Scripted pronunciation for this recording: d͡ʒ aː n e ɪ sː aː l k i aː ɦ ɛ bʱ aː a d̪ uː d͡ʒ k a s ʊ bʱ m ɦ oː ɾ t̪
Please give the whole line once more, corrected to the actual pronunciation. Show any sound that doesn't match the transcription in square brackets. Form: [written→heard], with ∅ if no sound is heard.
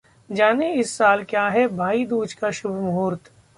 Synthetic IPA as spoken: d͡ʒ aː n e ɪ sː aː l k [i→j] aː ɦ ɛ bʱ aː [a→i] d̪ uː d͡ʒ k a [s→ʃ] ʊ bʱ m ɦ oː ɾ t̪